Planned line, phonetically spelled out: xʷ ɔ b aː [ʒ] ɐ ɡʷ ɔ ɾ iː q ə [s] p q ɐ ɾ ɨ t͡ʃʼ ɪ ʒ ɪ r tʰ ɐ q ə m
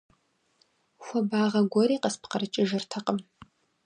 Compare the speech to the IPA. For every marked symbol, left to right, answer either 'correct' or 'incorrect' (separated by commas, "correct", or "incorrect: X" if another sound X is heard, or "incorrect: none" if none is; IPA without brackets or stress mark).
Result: incorrect: ʁ, correct